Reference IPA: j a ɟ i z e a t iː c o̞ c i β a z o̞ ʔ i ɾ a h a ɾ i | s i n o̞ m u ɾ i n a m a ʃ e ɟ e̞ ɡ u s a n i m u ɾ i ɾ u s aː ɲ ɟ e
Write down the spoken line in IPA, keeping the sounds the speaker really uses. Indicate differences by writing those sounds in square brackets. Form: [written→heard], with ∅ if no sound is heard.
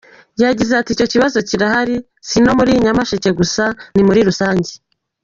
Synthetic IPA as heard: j a ɟ i z e a t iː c o̞ c i β a z o̞ [ʔ→c] i ɾ a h a ɾ i | s i n o̞ m u ɾ i [n→ɲ] a m a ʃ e [ɟ→c] e̞ ɡ u s a n i m u ɾ i ɾ u s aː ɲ ɟ e